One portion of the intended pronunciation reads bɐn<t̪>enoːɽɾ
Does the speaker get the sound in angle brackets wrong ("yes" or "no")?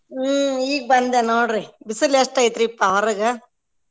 yes